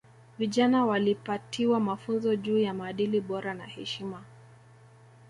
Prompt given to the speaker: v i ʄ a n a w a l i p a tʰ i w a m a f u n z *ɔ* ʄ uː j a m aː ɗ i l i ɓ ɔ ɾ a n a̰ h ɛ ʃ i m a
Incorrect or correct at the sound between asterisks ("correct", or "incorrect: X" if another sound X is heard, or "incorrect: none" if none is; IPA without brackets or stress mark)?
correct